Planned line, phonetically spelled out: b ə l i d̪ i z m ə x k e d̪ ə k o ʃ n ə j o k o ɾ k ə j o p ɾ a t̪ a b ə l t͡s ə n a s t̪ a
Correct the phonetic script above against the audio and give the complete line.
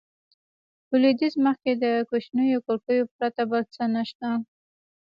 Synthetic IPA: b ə l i d̪ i z m ə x k e d̪ ə k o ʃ n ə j o k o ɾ k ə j o p ɾ a t̪ a b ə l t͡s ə n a ʃ t̪ a